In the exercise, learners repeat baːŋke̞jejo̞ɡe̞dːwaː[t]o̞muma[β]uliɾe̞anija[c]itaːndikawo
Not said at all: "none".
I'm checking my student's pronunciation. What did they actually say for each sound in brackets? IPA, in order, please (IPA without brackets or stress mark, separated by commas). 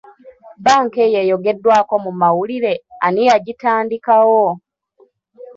k, w, ɟ